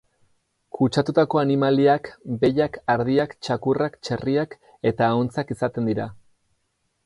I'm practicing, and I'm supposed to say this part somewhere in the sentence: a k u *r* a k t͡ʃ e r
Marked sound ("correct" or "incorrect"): correct